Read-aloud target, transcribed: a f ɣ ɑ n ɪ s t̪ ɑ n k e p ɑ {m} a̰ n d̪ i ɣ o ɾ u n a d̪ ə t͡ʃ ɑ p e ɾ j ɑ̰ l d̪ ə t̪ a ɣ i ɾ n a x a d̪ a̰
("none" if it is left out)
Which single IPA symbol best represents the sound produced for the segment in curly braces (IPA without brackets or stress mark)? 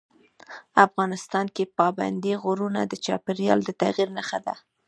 b